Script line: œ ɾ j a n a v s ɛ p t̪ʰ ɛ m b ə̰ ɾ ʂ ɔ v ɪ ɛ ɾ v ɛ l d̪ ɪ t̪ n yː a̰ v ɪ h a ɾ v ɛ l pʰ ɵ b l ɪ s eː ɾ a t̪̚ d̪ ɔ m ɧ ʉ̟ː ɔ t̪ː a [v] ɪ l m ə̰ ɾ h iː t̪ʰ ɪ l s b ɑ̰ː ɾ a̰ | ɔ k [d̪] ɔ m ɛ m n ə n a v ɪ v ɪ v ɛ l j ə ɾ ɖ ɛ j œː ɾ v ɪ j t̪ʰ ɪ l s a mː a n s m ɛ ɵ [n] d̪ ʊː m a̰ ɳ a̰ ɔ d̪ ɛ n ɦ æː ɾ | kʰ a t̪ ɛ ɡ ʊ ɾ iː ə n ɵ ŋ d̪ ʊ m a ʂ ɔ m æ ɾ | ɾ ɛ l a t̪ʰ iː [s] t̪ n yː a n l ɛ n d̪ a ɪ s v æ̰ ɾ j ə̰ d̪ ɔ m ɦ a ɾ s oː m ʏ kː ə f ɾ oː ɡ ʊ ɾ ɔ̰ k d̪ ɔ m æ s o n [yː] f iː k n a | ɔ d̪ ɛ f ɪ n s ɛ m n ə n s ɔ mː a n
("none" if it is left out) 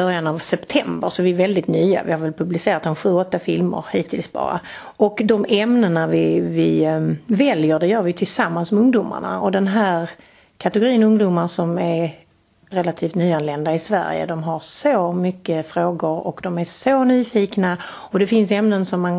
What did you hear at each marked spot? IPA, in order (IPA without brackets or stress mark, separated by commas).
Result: f, d̪, ŋ, f, yː